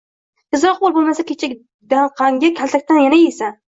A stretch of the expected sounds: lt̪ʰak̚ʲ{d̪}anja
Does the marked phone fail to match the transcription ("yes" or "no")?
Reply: yes